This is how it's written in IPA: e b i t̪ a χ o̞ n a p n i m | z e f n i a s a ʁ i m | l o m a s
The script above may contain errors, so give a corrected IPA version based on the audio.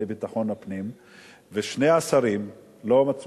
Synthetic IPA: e b i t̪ a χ o̞ n a p n i m | v e ʃ n e a s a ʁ i m | l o m a t͡s